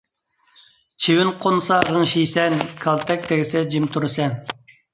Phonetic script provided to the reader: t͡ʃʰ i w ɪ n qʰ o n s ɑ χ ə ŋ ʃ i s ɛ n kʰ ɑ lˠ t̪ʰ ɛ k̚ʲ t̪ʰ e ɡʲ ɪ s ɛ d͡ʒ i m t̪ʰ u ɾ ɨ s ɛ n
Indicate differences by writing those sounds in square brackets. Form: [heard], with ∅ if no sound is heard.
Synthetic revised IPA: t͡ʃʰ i w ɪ n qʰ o n s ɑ [ʁ] ə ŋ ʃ i s ɛ n kʰ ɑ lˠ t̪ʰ ɛ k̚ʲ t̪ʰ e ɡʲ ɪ s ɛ d͡ʒ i m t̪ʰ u ɾ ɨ s ɛ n